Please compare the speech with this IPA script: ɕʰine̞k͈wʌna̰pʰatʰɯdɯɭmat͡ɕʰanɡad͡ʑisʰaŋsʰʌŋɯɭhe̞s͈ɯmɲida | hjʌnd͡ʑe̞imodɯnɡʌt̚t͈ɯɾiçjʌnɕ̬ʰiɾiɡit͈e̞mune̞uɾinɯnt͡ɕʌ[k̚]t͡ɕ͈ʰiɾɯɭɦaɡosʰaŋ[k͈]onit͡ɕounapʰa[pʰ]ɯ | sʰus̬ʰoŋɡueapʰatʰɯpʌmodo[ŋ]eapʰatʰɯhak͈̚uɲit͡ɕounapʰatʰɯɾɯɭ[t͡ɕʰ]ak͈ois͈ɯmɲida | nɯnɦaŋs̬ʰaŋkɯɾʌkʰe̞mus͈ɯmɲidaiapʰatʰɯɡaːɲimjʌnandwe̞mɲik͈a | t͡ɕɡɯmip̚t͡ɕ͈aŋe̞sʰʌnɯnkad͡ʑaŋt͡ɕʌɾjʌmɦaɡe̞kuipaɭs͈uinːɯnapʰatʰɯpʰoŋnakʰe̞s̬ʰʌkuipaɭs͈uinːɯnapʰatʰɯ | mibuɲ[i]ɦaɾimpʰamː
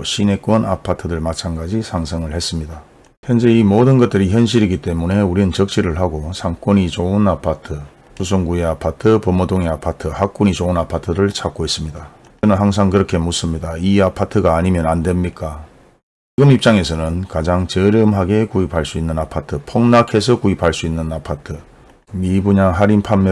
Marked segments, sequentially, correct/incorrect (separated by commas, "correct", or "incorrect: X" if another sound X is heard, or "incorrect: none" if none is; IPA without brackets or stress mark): correct, correct, incorrect: tʰ, correct, correct, incorrect: a